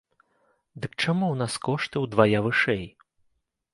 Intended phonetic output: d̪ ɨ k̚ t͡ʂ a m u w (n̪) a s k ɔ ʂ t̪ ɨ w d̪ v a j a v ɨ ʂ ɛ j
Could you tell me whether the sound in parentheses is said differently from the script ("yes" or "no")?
no